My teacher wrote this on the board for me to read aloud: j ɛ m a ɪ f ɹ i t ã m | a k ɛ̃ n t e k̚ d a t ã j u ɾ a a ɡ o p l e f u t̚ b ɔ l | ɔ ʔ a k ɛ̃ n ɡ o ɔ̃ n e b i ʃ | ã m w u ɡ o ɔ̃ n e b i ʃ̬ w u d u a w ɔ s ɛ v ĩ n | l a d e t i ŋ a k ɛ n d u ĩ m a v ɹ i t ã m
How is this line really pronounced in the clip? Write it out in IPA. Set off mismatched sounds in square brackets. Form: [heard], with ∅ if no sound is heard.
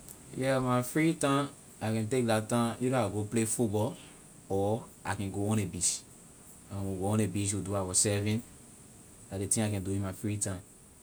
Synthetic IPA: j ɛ m a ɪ f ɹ i t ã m | a k ɛ̃ n t e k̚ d a t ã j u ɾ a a ɡ o p l e f u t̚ b ɔ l | ɔ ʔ a k ɛ̃ n ɡ o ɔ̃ n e b i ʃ | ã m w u ɡ o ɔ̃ n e b i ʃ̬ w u d u a w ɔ s ɛ v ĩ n | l a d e t [ĩ] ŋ a k [ɛ̃] n d u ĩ m a [f] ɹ i t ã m